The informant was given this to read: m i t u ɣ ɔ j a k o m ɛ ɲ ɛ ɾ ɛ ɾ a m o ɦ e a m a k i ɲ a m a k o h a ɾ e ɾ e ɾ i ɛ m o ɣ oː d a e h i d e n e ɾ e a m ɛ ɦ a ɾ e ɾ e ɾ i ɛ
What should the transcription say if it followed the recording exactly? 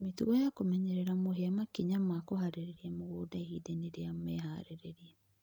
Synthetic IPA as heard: m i t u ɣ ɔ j a k o m ɛ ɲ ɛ ɾ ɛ ɾ a m o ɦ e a m a k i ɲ a m a k o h a ɾ e ɾ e ɾ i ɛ m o ɣ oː d a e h i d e n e ɾ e a m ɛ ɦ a ɾ e ɾ e ɾ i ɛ